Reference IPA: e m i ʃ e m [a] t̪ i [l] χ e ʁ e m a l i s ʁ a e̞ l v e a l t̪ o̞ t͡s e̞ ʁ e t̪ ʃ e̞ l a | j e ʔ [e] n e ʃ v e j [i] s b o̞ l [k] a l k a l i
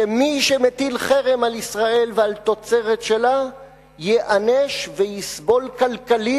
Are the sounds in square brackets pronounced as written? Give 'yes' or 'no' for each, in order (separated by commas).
no, yes, no, yes, yes